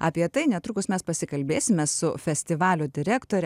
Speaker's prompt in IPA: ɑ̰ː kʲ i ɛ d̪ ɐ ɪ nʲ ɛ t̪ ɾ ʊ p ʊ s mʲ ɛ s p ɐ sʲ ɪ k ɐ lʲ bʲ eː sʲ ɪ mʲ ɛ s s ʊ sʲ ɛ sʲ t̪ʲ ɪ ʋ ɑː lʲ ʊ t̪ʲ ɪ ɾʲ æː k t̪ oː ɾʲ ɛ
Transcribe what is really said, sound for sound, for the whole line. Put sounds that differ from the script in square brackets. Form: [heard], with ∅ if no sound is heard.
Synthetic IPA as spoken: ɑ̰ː [pʲ] i ɛ [t̪] ɐ ɪ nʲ ɛ t̪ ɾ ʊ [k] ʊ s mʲ ɛ s p ɐ sʲ ɪ k ɐ lʲ bʲ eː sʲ ɪ mʲ ɛ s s ʊ [fʲ] ɛ sʲ t̪ʲ ɪ ʋ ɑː lʲ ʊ [d̪ʲ] ɪ ɾʲ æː k t̪ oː ɾʲ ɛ